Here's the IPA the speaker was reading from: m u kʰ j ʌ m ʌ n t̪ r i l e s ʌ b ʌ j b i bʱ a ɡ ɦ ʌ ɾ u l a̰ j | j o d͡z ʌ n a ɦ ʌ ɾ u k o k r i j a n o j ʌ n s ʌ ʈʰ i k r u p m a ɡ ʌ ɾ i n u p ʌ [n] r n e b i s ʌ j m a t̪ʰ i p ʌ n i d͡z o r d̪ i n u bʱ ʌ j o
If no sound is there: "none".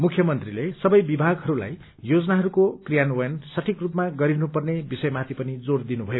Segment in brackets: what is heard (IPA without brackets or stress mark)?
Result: none